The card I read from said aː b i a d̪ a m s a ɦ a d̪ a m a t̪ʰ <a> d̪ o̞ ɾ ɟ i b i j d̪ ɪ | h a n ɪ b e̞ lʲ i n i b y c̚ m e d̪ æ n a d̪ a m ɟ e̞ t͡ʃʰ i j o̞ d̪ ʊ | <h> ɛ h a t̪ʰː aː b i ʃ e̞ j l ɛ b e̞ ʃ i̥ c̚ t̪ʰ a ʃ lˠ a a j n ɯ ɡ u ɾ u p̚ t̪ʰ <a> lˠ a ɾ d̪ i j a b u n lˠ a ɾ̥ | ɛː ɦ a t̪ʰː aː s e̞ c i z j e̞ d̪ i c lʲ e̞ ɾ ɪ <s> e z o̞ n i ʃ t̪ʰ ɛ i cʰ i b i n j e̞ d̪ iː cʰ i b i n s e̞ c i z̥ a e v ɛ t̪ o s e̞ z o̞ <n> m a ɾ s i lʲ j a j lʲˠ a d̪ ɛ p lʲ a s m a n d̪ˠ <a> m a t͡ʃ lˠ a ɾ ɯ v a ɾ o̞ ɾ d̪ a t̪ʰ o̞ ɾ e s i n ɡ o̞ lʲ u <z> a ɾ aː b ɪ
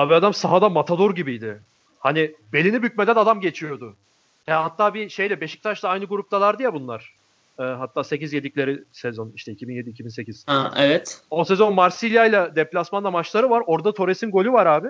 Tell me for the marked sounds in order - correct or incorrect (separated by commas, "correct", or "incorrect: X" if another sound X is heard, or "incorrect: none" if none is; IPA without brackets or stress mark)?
correct, correct, correct, correct, correct, correct, incorrect: v